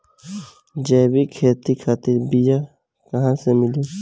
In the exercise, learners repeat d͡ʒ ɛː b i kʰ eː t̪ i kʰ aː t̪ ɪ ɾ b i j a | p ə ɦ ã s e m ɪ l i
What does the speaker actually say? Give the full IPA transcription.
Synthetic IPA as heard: d͡ʒ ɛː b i kʰ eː t̪ i kʰ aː t̪ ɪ ɾ b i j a | k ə ɦ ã s e m ɪ l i